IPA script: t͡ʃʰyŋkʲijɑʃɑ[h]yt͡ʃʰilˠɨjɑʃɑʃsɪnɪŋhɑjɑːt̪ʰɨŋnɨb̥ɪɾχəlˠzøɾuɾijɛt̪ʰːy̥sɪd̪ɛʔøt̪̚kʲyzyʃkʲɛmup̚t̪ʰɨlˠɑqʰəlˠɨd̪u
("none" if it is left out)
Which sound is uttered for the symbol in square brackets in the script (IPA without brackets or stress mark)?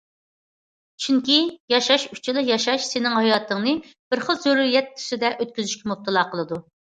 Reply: ʃ